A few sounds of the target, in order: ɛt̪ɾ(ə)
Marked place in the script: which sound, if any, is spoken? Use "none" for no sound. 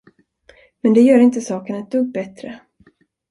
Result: ə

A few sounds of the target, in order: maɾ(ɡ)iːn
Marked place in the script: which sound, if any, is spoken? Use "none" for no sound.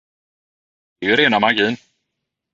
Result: ɡ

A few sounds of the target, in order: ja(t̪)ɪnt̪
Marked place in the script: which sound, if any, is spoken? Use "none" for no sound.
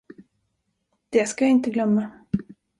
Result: none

